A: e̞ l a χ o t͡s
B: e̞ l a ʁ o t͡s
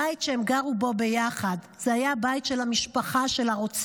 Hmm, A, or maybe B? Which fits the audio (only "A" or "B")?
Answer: B